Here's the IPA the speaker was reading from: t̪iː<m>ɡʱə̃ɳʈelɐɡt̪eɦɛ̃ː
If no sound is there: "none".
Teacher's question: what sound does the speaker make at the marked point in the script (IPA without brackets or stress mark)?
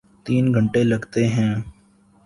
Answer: n